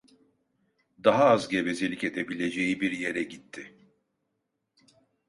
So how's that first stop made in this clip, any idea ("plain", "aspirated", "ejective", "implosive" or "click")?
plain